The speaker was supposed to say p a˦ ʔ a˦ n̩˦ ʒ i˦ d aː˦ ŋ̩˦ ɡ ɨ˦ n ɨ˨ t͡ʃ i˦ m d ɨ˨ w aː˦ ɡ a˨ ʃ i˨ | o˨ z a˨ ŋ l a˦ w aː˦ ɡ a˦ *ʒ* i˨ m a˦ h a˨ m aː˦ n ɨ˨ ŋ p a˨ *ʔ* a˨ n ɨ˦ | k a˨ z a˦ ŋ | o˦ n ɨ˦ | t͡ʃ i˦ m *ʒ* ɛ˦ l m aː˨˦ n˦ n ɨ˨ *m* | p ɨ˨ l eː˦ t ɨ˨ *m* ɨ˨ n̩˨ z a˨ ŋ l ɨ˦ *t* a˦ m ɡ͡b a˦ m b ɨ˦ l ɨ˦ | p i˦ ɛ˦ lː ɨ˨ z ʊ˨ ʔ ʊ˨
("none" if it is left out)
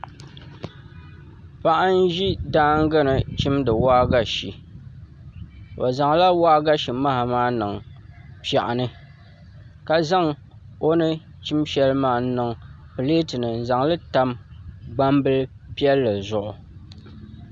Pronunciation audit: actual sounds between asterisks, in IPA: ʃ, ʔ, ʃ, ŋ, n, t

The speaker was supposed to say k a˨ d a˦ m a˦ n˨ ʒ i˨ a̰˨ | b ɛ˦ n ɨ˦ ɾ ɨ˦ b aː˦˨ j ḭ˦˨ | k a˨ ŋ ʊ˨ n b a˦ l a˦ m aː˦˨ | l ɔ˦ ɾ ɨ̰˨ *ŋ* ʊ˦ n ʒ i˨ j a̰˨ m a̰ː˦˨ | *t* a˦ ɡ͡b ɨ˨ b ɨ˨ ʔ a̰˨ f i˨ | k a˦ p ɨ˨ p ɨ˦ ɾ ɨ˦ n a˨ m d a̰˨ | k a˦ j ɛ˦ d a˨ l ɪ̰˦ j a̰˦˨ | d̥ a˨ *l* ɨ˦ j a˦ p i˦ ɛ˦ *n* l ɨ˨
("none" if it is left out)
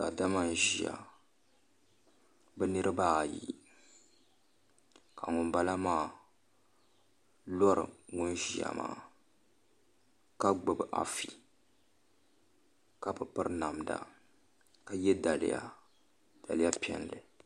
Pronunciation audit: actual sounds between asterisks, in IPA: ŋ, k, l, n

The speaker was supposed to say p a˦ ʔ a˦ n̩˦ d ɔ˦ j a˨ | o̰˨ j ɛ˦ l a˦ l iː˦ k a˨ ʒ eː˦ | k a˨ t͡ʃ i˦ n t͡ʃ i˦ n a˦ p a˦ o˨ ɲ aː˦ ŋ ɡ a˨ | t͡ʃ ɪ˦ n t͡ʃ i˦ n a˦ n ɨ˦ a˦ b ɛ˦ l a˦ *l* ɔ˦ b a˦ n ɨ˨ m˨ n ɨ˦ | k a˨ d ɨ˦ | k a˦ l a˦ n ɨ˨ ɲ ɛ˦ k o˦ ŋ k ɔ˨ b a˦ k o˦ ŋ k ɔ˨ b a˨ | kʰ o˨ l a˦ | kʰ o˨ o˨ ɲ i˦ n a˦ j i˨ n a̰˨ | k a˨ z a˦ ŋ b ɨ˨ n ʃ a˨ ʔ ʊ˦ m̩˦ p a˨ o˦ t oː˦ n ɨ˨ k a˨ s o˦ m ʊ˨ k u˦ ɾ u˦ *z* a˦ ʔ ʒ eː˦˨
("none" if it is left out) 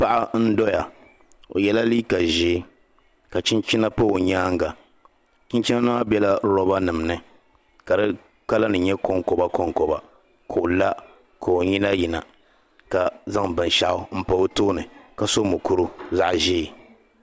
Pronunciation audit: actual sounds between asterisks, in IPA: ɾ, z

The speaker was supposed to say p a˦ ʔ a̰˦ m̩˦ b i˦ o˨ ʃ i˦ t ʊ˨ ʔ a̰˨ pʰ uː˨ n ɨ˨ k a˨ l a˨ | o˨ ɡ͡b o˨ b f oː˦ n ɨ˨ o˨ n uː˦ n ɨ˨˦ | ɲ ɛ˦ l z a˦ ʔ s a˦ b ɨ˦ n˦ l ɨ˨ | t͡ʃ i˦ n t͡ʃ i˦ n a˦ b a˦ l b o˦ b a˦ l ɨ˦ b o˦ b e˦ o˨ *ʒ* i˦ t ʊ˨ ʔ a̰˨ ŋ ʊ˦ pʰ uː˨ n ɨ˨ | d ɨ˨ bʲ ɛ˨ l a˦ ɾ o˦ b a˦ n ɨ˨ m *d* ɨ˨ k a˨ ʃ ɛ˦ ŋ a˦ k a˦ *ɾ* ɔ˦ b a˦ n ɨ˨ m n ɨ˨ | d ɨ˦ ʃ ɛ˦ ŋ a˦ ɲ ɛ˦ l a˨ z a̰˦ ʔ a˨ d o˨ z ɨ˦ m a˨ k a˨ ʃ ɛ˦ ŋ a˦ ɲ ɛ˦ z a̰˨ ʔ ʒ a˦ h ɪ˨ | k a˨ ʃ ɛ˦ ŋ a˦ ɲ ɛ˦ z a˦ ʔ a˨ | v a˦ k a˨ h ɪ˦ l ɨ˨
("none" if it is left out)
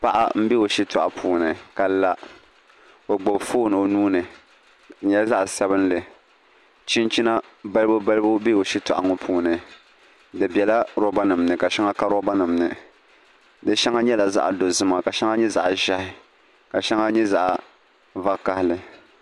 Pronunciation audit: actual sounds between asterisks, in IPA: ʃ, n, ɾ

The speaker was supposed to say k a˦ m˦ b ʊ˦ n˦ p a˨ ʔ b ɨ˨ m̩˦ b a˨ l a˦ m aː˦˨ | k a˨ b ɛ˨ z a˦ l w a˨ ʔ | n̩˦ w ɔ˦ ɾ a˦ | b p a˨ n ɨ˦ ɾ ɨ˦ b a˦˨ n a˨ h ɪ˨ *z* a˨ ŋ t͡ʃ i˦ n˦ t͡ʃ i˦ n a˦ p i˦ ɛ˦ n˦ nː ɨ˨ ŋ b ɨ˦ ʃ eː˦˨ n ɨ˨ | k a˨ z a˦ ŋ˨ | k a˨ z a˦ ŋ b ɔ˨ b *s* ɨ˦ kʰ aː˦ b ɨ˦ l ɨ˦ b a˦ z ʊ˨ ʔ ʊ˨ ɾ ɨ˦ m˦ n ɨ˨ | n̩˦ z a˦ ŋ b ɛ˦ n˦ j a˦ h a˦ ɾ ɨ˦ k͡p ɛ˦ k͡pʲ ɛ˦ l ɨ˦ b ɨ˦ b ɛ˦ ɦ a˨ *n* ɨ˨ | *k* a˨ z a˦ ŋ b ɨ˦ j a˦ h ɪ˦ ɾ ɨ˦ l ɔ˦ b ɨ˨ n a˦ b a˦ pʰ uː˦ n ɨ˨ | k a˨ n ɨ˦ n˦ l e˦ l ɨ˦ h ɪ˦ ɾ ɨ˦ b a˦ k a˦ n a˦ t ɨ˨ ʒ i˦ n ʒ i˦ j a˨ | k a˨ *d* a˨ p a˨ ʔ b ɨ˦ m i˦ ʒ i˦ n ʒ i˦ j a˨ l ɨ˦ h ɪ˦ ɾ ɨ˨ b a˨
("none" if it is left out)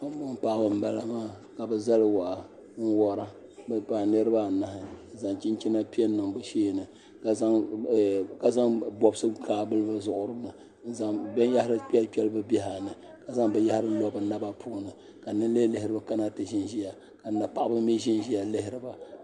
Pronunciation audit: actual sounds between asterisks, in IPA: z, s, n, k, n

